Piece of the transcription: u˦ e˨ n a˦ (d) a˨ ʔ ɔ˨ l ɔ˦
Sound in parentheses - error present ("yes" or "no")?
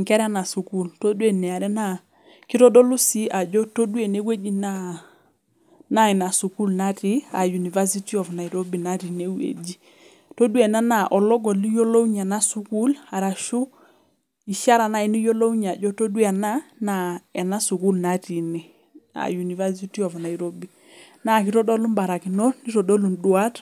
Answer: yes